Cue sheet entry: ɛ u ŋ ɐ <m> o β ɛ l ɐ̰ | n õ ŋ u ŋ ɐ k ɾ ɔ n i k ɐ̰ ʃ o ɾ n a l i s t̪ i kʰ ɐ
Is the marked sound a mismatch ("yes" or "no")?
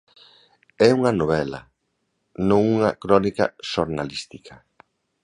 yes